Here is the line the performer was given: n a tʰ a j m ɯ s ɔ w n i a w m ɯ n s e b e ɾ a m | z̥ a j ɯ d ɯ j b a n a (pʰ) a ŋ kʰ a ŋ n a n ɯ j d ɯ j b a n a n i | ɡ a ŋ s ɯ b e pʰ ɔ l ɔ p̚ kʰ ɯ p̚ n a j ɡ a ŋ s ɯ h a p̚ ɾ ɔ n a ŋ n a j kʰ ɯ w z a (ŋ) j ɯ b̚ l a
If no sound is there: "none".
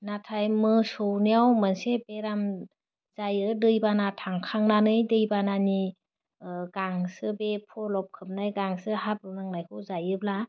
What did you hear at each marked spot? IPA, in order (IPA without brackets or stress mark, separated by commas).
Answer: tʰ, none